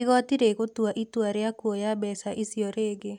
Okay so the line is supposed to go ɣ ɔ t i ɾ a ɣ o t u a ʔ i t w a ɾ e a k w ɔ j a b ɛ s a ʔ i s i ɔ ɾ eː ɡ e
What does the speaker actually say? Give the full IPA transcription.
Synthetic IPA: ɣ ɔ t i ɾ e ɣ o t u a ʔ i t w a ɾ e a k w ɔ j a b ɛ s a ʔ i s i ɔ ɾ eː ɡ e